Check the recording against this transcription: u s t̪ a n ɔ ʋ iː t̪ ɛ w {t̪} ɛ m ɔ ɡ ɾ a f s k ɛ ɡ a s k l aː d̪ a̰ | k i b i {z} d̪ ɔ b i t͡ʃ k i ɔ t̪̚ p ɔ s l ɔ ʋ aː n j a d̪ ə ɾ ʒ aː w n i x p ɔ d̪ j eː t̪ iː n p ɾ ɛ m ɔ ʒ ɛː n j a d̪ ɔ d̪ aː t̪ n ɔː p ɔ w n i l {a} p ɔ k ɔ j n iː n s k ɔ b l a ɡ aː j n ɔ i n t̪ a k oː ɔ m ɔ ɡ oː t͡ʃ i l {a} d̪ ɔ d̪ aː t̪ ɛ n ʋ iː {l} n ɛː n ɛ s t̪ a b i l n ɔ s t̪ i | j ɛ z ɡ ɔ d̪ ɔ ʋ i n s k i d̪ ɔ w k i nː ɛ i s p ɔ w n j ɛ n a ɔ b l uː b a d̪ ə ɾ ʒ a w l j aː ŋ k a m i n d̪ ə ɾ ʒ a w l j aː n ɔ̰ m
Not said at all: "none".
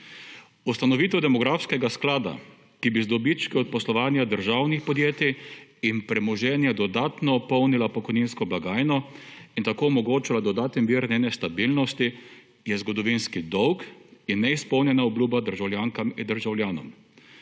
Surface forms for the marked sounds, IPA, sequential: d̪, z, a, a, ɾ

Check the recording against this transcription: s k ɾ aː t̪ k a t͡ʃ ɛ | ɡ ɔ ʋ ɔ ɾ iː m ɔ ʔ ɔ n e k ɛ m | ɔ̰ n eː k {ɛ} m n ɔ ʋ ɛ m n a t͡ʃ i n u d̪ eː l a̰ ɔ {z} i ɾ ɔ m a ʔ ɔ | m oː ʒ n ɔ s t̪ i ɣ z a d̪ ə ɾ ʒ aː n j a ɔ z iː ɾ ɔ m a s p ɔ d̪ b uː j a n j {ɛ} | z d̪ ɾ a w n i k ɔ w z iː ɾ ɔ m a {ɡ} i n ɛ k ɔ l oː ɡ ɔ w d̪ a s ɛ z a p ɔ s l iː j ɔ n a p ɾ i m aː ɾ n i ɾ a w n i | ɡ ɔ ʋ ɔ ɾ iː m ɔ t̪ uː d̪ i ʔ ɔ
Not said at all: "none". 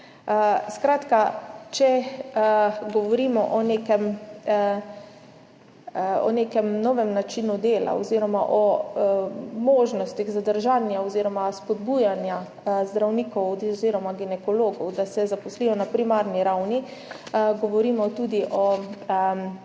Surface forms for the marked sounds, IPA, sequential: ɛ, z, a, ɡ

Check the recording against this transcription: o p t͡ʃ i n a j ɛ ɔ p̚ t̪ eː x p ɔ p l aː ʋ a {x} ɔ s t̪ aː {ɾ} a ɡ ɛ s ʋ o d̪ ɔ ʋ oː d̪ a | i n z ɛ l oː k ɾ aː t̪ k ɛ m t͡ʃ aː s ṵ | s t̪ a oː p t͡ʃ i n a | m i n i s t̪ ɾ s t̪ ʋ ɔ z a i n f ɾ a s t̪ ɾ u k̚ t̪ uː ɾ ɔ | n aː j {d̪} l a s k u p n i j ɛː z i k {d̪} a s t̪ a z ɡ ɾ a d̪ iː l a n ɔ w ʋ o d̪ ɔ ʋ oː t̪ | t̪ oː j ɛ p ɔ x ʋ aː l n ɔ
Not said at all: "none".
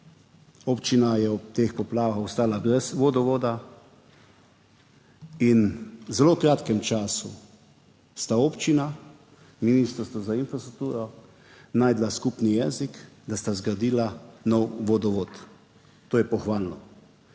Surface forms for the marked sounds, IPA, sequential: x, l, d̪, d̪

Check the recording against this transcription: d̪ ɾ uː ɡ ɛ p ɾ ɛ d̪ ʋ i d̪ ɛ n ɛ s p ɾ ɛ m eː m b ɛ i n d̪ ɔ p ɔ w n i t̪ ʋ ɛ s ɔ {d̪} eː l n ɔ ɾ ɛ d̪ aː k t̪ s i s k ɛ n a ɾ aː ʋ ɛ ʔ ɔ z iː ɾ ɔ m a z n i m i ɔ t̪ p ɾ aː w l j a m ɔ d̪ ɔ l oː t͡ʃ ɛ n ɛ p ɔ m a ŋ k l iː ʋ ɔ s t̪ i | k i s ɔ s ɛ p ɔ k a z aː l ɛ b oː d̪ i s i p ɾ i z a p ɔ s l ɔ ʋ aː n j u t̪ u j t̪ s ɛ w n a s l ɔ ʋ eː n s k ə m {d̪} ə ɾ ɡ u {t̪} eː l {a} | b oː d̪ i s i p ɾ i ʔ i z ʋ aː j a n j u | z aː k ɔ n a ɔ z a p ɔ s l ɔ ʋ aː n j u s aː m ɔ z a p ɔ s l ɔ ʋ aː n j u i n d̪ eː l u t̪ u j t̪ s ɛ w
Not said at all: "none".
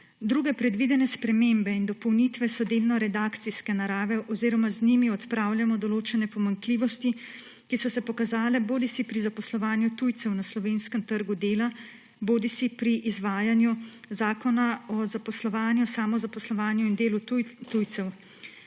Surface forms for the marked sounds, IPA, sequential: d̪, t̪, d̪, a

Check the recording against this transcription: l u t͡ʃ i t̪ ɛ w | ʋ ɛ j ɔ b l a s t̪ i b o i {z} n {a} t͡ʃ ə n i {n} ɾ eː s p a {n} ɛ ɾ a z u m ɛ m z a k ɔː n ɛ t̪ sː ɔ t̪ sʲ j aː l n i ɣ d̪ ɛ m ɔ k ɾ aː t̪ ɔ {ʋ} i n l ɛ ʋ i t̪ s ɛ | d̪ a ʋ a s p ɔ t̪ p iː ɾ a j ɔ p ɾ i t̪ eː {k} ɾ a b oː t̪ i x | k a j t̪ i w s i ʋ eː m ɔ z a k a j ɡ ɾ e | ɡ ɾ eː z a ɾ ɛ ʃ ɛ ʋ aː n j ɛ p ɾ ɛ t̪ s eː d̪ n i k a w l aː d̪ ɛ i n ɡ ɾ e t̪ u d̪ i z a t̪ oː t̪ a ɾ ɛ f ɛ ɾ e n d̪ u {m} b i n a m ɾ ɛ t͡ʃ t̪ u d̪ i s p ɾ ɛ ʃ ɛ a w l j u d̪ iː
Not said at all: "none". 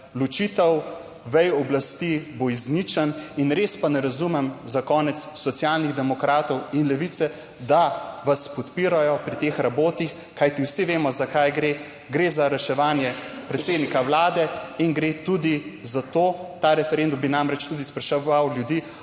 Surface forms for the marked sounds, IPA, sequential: z, i, n, n, w, x, m

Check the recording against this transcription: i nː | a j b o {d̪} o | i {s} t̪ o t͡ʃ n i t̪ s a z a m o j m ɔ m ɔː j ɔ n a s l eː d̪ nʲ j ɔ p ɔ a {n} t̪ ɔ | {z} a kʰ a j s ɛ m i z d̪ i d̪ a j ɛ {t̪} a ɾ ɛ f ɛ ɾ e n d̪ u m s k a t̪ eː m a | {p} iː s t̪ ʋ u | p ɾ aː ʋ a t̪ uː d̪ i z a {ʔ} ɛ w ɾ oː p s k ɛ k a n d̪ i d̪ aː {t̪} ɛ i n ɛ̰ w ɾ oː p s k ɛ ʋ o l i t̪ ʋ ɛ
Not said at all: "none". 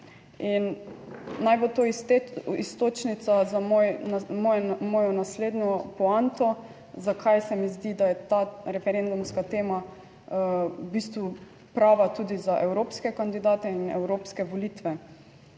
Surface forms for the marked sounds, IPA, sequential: t̪, s, n, z, t̪, b, ʔ, t̪

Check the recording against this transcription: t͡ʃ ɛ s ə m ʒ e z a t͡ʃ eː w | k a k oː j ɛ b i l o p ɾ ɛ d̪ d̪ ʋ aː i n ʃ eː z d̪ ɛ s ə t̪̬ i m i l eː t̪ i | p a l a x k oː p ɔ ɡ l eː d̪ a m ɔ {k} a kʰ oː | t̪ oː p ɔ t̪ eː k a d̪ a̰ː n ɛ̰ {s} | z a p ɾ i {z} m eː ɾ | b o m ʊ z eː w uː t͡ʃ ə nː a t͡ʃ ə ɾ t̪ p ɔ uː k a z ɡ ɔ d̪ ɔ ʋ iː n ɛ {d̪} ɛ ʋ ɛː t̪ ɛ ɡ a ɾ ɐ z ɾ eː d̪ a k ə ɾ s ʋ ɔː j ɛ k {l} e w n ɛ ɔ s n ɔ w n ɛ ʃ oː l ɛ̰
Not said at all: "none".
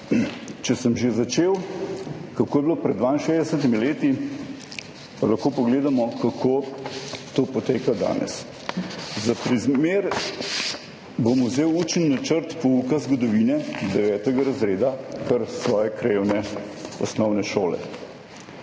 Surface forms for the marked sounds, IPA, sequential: k, s, z, d̪, ɾ

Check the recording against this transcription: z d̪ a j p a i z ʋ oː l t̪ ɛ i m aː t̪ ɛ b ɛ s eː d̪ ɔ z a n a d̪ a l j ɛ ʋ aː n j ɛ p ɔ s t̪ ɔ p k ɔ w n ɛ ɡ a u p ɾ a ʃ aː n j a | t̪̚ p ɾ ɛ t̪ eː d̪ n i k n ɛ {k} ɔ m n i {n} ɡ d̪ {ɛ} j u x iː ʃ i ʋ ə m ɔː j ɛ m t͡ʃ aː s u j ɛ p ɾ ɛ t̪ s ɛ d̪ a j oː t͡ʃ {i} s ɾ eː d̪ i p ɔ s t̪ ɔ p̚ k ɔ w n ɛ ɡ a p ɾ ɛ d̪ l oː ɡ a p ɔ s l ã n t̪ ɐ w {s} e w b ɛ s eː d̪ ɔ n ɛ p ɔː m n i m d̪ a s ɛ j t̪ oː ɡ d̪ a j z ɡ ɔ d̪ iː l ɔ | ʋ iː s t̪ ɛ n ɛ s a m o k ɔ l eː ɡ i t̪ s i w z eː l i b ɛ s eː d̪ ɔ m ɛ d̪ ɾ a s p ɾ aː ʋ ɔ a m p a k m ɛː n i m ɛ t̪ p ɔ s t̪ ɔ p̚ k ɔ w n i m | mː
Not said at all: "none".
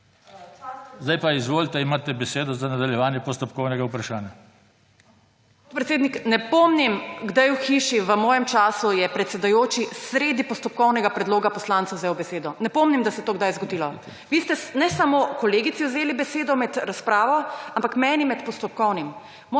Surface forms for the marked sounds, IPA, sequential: p, m, a, i, z

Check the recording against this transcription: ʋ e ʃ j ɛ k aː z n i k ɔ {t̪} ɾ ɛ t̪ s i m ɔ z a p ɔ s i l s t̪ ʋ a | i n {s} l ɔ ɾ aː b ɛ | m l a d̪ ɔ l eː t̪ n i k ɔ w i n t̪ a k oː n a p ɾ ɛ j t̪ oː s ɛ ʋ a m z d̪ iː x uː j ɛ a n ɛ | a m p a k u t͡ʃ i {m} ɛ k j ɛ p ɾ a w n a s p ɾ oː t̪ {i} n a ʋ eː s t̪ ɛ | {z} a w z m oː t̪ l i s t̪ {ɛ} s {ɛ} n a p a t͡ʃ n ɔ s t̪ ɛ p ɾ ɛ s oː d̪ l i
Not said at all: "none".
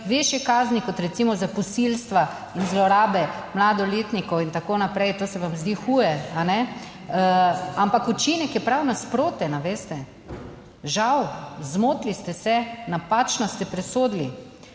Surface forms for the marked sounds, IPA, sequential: t̪, z, n, ɛ, ʒ, ɛ, ɛ

